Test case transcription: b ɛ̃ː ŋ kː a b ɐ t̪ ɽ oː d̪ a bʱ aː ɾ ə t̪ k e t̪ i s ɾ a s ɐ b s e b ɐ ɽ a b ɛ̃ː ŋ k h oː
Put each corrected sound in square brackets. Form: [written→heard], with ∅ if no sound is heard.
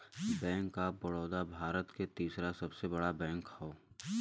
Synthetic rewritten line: b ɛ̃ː ŋ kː a b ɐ [t̪→∅] ɽ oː d̪ a bʱ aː ɾ ə t̪ k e t̪ [i→iː] s ɾ a s ɐ b s e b ɐ ɽ a b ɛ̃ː ŋ k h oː

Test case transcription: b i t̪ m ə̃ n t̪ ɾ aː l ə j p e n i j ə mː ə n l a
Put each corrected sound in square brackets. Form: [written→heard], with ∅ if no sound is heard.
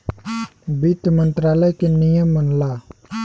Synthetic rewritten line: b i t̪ m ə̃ n t̪ ɾ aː l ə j [p→k] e n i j ə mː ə n l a

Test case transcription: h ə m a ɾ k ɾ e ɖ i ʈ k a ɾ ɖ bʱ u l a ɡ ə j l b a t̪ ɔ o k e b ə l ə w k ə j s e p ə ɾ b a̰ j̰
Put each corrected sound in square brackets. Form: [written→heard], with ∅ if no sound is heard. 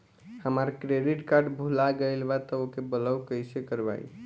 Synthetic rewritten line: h ə m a ɾ k ɾ e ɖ i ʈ k a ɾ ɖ bʱ u l a ɡ ə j l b a t̪ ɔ o k e b ə l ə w k ə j s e [p→k] ə ɾ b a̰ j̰

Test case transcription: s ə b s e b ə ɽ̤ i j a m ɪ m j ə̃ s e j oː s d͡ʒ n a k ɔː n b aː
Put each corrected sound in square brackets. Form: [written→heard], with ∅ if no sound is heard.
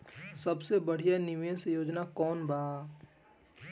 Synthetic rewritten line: s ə b s e b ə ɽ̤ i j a [m→n] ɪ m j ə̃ s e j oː [s→∅] d͡ʒ n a k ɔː n b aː

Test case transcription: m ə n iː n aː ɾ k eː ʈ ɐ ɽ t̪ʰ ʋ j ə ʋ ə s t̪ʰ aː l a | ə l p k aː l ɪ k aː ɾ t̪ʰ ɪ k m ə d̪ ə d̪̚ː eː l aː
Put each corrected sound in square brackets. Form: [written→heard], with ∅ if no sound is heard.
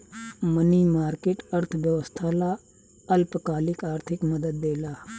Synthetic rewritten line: m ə n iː [n→m] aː ɾ k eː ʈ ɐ [ɽ→ɾ] t̪ʰ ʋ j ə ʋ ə s t̪ʰ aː l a | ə l p k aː l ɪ k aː ɾ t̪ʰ ɪ k m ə d̪ ə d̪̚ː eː l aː

